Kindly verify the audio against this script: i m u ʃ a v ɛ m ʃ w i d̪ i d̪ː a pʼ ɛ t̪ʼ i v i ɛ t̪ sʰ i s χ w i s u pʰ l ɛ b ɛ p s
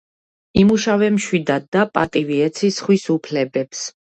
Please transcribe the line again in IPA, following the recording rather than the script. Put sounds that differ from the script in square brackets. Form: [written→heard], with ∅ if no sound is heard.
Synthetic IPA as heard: i m u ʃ a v ɛ m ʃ w i d̪ [i→a] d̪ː a pʼ [ɛ→a] t̪ʼ i v i ɛ t̪ sʰ i s χ w i s u pʰ l ɛ b ɛ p s

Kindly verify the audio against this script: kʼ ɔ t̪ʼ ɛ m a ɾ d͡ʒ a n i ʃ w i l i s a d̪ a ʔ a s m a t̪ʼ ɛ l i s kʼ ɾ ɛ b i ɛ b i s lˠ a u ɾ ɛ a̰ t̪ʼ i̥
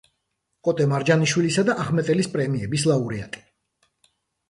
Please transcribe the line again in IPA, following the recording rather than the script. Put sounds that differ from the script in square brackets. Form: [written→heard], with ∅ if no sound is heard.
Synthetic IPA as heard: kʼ ɔ t̪ʼ ɛ m a ɾ d͡ʒ a n i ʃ w i l i s a d̪ a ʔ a [s→χ] m [a→ɛ] t̪ʼ ɛ l i s [kʼ→pʼ] ɾ ɛ [b→m] i ɛ b i s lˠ a u ɾ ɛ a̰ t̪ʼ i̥

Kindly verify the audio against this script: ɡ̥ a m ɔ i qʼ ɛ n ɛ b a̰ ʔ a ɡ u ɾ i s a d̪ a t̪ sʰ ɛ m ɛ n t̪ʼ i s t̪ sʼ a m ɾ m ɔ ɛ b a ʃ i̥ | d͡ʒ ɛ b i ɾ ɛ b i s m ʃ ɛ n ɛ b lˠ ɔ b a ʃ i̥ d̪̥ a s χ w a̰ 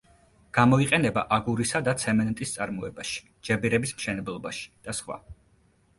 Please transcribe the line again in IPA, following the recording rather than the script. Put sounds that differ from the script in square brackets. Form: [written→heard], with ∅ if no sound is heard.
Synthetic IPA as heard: ɡ̥ a m ɔ i qʼ ɛ n ɛ b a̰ ʔ a ɡ u ɾ i s a d̪ a t̪ sʰ ɛ m ɛ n t̪ʼ i s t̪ sʼ a [m→∅] ɾ m ɔ ɛ b a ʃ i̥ | d͡ʒ ɛ b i ɾ ɛ b i s m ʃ ɛ n ɛ b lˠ ɔ b a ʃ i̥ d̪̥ a s χ w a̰

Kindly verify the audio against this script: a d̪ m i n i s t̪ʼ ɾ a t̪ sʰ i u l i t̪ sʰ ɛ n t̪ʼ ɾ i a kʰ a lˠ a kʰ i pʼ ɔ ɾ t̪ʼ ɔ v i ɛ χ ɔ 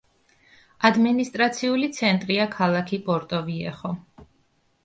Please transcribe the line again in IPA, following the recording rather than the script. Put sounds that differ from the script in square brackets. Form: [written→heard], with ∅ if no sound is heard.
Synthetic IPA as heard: a d̪ m i n i s t̪ʼ ɾ a t̪ sʰ i u l i t̪ sʰ ɛ n t̪ʼ ɾ i a kʰ a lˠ a kʰ i pʼ ɔ ɾ t̪ʼ ɔ v i ɛ χ ɔ

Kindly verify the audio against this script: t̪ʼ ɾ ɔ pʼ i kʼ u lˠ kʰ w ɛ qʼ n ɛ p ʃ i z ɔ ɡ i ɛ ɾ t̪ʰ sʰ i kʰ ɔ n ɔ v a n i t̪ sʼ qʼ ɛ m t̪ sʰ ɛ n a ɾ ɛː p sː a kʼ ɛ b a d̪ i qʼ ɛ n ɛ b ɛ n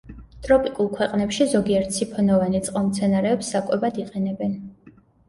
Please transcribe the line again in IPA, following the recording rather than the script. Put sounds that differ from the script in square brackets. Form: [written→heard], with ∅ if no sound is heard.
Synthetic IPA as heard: t̪ʼ ɾ ɔ pʼ i kʼ u lˠ kʰ w ɛ qʼ n ɛ p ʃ i z ɔ ɡ i ɛ ɾ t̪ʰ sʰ i [kʰ→pʰ] ɔ n ɔ v a n i t̪ sʼ qʼ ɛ m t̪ sʰ ɛ n a ɾ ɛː p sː a kʼ ɛ b a d̪ i qʼ ɛ n ɛ b ɛ n

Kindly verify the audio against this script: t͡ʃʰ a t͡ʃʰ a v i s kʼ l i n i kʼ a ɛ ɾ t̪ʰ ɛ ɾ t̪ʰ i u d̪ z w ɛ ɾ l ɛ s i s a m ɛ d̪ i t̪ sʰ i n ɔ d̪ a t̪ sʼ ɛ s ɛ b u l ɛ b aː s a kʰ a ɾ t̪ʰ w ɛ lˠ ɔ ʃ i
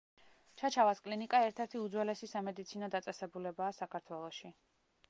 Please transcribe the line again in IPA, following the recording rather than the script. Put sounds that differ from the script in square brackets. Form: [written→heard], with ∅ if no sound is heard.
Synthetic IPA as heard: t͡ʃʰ a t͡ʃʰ a v [i→a] s kʼ l i n i kʼ a ɛ ɾ t̪ʰ ɛ ɾ t̪ʰ i u d̪ z w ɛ [ɾ→∅] l ɛ s i s a m ɛ d̪ i t̪ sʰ i n ɔ d̪ a t̪ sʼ ɛ s ɛ b u l ɛ b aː s a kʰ a ɾ t̪ʰ w ɛ lˠ ɔ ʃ i

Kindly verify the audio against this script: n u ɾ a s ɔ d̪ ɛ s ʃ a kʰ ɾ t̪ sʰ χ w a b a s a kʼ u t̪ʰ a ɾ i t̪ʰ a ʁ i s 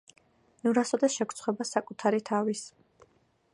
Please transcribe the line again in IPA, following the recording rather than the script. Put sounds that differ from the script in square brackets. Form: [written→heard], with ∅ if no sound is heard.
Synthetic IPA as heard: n u ɾ a s ɔ d̪ ɛ s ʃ [a→ɛ] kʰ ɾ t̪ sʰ χ w [a→ɛ] b a s a kʼ u t̪ʰ a ɾ i t̪ʰ a [ʁ→v] i s

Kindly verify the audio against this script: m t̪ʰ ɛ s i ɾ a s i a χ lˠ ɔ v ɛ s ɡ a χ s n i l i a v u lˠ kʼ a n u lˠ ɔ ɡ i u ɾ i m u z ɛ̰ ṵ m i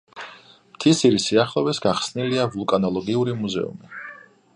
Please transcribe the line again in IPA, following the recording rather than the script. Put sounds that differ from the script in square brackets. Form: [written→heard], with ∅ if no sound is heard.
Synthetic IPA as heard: m t̪ʰ [ɛ→i] s i ɾ [a→i] s i a χ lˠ ɔ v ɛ s ɡ a χ s n i l i a v u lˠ kʼ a n [u→ɔ] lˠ ɔ ɡ i u ɾ i m u z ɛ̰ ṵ m i

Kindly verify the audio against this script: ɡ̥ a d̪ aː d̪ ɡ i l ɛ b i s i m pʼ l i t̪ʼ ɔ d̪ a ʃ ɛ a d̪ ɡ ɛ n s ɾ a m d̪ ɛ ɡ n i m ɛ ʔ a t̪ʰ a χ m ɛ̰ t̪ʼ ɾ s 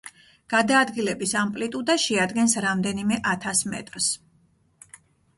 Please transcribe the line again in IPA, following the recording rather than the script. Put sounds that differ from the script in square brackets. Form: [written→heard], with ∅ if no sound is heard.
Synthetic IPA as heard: ɡ̥ a d̪ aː d̪ ɡ i l ɛ b i s [i→a] m pʼ l i t̪ʼ [ɔ→u] d̪ a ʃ ɛ a d̪ ɡ ɛ n s ɾ a m d̪ ɛ [ɡ→∅] n i m ɛ ʔ a t̪ʰ a [χ→s] m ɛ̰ t̪ʼ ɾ s

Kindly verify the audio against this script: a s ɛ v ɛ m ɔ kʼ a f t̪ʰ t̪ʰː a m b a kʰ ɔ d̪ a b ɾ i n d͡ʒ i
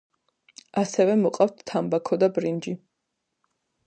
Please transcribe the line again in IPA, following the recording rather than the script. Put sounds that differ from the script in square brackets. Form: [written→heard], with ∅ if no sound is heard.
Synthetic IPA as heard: a s ɛ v ɛ m ɔ [kʼ→qʼ] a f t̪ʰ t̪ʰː a m b a kʰ ɔ d̪ a b ɾ i n d͡ʒ i

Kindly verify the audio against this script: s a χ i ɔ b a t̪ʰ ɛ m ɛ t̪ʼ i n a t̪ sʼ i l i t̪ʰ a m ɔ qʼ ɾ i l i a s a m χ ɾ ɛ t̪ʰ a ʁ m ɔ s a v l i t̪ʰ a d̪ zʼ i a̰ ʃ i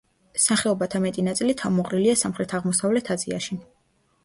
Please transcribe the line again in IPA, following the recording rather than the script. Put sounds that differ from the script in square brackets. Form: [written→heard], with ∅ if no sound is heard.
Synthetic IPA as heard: s a χ [i→ɛ] ɔ b a t̪ʰ [ɛ→a] m ɛ t̪ʼ i n a t̪ sʼ i l i t̪ʰ a m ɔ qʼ ɾ i l i a s a m χ ɾ ɛ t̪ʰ a ʁ m ɔ s a v l [i→ɛ] t̪ʰ a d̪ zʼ i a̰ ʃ i

